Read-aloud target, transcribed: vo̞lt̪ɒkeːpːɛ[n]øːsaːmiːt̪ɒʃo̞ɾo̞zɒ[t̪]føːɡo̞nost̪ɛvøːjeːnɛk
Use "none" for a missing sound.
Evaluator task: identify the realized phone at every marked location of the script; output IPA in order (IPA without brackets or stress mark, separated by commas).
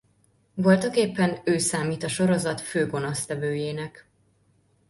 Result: n, t̪